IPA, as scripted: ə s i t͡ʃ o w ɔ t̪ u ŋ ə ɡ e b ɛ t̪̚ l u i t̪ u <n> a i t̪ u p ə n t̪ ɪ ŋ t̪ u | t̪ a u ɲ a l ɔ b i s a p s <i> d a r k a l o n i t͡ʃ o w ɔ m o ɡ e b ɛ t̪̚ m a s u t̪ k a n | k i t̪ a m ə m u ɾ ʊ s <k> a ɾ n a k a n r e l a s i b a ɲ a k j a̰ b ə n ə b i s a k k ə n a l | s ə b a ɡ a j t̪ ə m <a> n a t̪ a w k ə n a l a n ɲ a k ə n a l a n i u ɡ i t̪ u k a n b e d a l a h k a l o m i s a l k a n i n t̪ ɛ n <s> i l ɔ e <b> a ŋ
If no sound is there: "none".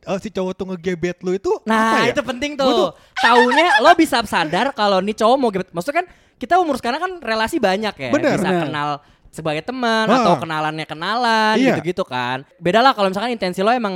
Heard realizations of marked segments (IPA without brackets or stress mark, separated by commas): n, a, k, ə, s, m